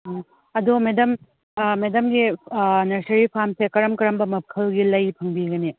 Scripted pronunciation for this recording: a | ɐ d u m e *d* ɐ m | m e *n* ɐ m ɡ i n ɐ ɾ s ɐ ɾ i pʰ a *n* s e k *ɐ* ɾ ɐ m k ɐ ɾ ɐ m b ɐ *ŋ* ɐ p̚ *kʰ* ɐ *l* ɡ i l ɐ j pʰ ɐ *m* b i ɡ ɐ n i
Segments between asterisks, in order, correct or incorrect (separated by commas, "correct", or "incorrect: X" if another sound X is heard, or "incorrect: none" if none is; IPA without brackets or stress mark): correct, incorrect: d, incorrect: m, correct, incorrect: m, correct, correct, incorrect: ŋ